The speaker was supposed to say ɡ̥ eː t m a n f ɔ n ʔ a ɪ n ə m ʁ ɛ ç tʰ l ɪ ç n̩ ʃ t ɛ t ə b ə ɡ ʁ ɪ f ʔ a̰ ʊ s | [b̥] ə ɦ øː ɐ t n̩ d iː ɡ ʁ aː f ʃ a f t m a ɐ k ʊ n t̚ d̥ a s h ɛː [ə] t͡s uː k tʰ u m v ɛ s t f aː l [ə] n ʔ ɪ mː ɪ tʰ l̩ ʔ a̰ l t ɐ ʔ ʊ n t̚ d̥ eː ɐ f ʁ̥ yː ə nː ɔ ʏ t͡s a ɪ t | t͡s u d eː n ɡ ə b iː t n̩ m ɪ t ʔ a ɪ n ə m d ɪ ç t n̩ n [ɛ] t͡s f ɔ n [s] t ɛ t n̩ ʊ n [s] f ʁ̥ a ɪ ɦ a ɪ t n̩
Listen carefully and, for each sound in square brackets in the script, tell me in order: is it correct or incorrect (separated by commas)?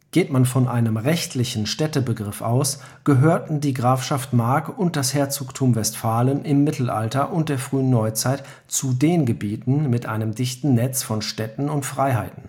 incorrect, incorrect, correct, correct, incorrect, incorrect